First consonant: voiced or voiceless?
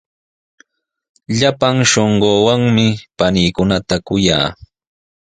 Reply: voiced